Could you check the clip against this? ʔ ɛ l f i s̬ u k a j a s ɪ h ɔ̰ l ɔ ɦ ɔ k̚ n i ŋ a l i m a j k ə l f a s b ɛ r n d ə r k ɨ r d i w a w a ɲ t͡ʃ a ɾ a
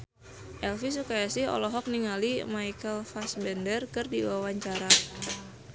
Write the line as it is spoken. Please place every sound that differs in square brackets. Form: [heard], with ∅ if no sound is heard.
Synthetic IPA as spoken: ʔ ɛ l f i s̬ u k a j a s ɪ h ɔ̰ l ɔ ɦ ɔ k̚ n i ŋ a l i m a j k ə l f a s b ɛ [∅] n d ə r k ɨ r d i w a w a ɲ t͡ʃ a ɾ a